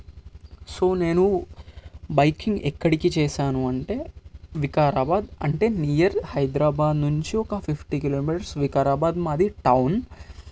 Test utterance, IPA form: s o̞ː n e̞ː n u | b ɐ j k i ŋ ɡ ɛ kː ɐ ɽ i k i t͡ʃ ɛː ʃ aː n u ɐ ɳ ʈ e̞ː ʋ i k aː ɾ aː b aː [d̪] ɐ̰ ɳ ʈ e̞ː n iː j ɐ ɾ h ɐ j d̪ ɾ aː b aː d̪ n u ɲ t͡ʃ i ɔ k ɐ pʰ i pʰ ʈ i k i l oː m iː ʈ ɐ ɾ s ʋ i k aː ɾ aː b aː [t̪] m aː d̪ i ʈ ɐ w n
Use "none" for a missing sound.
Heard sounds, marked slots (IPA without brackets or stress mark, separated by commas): d̪, d̪